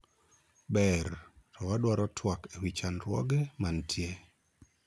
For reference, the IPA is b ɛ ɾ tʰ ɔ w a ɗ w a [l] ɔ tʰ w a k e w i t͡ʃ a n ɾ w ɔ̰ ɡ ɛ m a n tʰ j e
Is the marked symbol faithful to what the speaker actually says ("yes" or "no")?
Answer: no